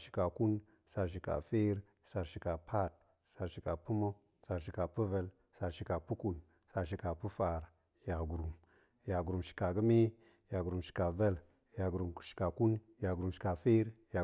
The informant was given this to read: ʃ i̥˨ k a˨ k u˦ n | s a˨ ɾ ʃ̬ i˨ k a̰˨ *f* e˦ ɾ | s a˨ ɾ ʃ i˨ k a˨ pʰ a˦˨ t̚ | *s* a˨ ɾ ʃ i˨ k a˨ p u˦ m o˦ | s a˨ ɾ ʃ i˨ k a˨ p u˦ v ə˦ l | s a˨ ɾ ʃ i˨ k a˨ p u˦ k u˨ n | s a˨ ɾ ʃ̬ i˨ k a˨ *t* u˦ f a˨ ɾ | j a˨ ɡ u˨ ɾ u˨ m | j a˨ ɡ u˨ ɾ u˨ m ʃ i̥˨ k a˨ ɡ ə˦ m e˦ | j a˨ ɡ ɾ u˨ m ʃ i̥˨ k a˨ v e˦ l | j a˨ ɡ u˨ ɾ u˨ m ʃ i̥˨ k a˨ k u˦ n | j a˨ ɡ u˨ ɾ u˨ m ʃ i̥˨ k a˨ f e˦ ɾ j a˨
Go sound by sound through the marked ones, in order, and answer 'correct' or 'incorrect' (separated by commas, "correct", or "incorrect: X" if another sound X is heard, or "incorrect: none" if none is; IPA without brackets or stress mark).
correct, correct, incorrect: p